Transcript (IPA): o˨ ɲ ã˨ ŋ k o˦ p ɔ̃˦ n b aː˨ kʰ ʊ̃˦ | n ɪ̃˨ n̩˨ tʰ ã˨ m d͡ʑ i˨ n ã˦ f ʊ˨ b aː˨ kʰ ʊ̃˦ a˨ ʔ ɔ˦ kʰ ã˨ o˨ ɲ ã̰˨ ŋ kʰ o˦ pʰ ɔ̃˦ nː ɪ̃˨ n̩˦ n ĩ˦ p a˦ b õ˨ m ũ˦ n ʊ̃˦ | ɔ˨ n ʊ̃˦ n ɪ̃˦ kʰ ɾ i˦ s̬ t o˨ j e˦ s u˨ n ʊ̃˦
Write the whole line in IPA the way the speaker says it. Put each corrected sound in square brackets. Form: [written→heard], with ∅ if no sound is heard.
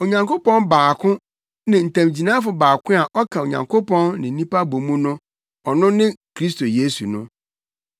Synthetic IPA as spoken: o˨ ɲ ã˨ ŋ k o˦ p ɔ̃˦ n b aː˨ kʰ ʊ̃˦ | n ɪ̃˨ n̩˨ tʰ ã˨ m d͡ʑ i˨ n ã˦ f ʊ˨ b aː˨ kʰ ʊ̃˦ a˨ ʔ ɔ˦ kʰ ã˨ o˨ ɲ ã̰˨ ŋ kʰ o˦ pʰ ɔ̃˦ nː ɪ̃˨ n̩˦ n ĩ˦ p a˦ b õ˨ m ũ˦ n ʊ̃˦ | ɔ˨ n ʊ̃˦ n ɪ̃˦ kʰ ɾ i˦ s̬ t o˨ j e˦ s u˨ n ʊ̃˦

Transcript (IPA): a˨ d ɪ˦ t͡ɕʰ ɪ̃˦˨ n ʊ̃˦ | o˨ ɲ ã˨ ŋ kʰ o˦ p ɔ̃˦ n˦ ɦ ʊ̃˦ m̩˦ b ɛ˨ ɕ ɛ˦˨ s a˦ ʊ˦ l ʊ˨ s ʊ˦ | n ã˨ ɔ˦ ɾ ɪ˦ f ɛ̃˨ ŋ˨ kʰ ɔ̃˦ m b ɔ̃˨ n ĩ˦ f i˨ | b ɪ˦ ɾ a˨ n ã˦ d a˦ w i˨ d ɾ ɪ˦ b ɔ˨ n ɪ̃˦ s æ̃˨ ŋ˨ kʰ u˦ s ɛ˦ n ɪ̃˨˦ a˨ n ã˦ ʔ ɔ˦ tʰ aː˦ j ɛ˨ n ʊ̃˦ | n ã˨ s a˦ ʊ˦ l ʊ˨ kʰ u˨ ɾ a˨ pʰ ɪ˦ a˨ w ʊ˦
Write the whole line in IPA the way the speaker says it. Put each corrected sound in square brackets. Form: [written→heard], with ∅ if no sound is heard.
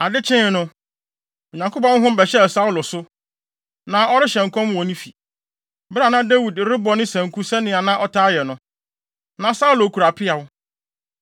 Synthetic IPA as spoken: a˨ d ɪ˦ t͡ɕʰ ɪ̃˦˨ n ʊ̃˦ | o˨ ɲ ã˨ ŋ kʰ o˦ p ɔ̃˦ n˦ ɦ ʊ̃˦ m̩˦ b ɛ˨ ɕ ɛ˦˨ s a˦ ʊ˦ l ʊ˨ s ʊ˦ | n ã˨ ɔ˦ ɾ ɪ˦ [f→ɕ] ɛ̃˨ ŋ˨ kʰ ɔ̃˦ m [b→w] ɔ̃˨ n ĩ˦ f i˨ | b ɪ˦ ɾ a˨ n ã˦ d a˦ w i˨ d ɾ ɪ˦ b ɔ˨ n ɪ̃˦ s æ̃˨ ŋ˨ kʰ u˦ s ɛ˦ n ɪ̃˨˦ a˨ n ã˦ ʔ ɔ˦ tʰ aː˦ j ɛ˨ n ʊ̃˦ | n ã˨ s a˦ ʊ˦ l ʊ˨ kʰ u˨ ɾ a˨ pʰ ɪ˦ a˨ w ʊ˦

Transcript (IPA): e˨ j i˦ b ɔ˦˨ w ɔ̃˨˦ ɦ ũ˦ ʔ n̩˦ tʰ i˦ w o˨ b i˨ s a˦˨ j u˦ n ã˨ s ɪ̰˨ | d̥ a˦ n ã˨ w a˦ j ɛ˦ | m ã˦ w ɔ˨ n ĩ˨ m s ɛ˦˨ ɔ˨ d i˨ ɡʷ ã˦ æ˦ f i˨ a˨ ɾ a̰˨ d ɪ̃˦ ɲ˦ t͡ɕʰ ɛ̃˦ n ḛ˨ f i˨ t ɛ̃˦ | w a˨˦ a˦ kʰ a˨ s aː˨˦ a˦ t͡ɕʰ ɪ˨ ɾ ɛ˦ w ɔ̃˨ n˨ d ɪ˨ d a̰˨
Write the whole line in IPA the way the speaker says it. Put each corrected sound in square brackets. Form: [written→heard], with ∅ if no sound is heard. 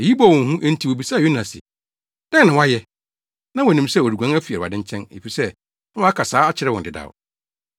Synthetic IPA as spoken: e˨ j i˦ b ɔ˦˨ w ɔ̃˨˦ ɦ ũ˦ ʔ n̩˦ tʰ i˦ w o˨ b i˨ s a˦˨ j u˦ n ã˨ s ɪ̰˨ | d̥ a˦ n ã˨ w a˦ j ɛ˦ | [m→n] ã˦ w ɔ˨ n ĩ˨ m s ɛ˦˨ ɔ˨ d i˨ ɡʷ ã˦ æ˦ f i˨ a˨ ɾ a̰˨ d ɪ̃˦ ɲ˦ t͡ɕʰ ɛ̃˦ n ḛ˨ f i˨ [t→s] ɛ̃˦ | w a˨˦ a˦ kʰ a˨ s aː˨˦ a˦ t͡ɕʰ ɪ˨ ɾ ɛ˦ w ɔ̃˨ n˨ d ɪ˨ d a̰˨

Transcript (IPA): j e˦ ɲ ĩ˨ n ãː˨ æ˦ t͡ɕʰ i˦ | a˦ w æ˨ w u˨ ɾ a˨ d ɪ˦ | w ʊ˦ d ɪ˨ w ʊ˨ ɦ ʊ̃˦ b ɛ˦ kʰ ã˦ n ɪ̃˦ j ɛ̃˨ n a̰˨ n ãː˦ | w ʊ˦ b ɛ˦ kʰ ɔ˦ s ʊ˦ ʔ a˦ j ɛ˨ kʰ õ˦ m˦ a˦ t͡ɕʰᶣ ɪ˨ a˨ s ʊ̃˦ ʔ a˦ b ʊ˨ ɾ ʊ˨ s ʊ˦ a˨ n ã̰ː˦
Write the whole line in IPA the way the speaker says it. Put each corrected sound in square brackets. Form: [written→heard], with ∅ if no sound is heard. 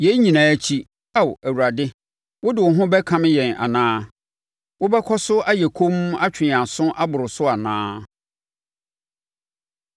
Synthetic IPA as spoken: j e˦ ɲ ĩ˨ n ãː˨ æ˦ t͡ɕʰ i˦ | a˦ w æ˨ w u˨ ɾ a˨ d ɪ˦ | w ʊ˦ d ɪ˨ w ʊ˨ ɦ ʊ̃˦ b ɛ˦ kʰ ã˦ [n→m] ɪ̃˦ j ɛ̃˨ n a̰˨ n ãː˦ | w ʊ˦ b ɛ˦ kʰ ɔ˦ s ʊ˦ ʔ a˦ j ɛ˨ kʰ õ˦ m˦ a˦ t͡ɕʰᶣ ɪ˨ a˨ s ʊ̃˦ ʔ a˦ b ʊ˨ ɾ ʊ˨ s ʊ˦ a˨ n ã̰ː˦

